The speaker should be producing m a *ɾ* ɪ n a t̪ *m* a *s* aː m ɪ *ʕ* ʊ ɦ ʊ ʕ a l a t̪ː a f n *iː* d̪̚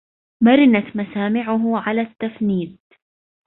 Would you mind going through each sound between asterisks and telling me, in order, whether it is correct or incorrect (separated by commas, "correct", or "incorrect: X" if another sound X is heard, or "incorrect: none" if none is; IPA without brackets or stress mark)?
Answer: correct, correct, correct, correct, correct